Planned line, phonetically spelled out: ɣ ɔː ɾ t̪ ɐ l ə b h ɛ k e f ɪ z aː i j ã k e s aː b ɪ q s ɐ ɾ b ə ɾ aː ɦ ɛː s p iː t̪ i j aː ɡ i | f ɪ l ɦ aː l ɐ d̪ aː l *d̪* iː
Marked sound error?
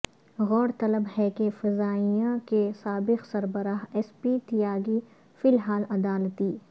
yes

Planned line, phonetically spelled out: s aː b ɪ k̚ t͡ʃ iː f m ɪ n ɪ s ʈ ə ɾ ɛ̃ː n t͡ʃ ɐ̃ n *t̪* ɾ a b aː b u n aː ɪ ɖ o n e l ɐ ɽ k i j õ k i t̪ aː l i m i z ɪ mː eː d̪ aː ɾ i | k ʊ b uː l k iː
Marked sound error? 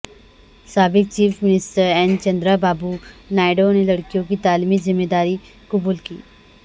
yes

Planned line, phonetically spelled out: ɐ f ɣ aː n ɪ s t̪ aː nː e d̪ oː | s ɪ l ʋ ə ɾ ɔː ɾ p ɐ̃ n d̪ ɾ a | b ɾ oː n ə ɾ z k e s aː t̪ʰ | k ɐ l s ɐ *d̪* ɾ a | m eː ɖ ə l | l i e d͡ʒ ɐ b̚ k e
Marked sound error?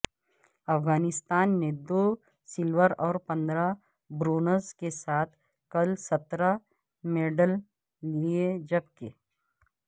yes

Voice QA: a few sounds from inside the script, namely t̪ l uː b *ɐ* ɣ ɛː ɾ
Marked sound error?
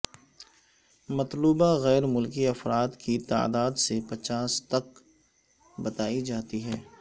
yes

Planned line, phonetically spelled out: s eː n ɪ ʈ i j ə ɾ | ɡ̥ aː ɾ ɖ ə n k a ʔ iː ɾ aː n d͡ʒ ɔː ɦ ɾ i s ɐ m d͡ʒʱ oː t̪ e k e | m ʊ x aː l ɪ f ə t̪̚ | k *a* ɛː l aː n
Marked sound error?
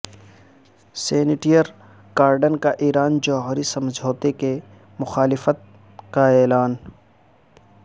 no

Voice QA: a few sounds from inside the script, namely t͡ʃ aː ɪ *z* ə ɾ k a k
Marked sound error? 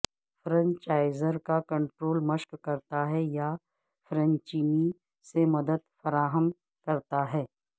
no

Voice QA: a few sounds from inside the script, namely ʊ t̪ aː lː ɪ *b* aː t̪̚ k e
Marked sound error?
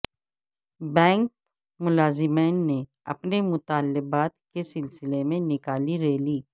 no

